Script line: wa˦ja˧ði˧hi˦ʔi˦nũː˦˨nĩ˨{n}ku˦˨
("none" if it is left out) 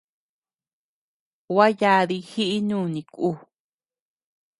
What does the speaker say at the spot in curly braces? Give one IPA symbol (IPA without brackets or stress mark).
none